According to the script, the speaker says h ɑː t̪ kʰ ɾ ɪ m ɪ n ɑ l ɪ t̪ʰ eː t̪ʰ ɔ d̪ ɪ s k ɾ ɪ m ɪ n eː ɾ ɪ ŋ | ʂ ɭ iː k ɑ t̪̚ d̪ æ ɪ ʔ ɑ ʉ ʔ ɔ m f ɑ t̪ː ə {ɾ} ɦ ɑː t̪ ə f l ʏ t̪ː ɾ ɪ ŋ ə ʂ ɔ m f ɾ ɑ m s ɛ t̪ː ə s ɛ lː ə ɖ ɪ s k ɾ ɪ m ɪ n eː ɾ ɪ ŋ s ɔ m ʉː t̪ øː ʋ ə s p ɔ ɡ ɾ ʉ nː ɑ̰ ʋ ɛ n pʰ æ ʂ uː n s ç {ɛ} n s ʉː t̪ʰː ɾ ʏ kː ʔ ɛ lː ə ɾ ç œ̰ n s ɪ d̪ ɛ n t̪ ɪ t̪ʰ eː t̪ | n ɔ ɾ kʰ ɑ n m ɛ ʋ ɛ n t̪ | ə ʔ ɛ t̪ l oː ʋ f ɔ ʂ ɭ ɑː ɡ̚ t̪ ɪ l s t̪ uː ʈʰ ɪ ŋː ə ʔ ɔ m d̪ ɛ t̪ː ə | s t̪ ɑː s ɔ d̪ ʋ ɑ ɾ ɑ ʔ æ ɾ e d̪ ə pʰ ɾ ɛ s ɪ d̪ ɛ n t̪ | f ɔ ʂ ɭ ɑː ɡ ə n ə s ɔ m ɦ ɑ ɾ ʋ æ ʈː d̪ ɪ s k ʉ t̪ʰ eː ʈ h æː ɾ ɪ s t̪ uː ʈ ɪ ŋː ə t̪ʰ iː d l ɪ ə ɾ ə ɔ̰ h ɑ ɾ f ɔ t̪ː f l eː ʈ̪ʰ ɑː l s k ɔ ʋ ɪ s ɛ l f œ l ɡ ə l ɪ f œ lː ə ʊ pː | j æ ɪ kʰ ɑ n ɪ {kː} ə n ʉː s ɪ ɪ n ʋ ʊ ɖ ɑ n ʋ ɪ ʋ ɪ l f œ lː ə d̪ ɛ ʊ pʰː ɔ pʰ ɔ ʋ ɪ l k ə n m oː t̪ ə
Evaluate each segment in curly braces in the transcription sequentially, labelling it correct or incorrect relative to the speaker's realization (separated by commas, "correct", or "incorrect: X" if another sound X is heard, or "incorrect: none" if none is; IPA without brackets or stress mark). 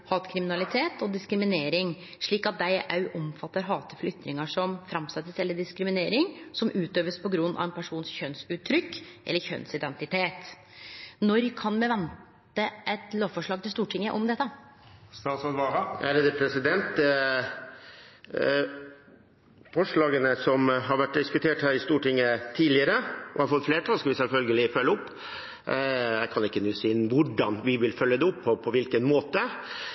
correct, incorrect: œ, correct